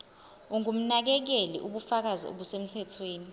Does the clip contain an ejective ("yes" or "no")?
no